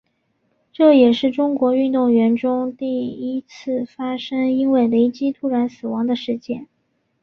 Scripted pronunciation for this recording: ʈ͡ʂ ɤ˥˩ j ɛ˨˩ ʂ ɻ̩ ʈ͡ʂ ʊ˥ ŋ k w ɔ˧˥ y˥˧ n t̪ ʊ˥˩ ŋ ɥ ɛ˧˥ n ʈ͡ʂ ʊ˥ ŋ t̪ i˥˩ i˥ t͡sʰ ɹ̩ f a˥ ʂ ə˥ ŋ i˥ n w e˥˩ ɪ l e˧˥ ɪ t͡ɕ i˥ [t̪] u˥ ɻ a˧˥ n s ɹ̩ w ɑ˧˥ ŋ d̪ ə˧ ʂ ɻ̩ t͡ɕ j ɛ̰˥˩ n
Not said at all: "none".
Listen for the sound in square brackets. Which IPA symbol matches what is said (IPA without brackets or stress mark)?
t̪ʰ